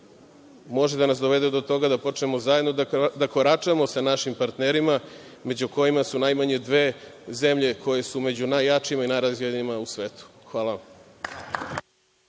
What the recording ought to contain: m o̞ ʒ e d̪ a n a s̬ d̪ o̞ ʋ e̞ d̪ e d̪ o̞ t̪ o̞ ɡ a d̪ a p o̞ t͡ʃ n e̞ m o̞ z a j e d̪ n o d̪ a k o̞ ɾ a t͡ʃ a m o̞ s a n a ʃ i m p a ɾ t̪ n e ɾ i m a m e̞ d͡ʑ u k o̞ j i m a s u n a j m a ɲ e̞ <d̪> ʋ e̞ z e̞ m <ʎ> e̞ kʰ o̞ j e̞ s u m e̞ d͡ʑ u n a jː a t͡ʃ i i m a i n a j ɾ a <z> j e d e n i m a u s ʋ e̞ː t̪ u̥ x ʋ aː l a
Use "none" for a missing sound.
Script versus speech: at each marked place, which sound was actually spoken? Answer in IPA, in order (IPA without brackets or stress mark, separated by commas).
d̪, ʎ, z